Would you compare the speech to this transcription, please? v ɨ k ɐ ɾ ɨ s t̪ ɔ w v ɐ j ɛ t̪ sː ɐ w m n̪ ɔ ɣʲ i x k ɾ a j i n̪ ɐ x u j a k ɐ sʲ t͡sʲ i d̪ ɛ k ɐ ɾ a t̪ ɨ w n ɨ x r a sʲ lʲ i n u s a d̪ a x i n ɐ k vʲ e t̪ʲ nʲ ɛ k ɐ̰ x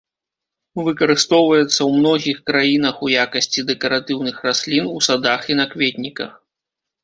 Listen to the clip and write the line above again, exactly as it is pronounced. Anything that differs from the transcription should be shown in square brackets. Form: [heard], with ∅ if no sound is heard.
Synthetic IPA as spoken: v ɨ k ɐ ɾ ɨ s t̪ ɔ w v ɐ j ɛ t̪ sː ɐ w m n̪ ɔ ɣʲ i x k ɾ a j i n̪ ɐ x u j a k ɐ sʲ t͡sʲ i d̪ ɛ k ɐ ɾ a t̪ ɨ w n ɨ x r a sʲ lʲ i n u s a d̪ a x i n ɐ k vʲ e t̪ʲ nʲ [i] k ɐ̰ x